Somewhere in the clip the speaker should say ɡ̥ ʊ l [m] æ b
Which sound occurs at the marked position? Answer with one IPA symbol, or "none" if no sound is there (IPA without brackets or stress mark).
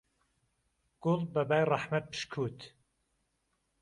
b